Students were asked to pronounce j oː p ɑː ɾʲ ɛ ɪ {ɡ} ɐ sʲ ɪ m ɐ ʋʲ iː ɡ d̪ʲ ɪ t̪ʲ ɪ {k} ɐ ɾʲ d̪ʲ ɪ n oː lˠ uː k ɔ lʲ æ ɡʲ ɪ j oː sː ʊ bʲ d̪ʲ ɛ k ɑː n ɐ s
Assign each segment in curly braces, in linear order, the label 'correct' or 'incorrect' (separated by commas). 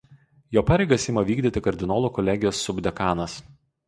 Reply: correct, correct